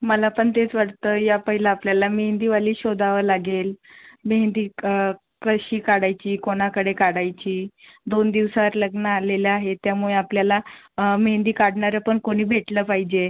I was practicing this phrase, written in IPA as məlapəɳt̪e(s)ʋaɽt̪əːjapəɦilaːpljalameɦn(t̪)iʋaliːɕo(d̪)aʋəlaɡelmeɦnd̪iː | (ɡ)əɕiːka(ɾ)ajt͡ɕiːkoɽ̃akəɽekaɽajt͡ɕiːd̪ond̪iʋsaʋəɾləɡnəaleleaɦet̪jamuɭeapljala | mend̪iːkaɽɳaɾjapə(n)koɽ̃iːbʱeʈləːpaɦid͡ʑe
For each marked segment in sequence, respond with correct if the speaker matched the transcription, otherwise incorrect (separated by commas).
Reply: incorrect, incorrect, correct, incorrect, incorrect, incorrect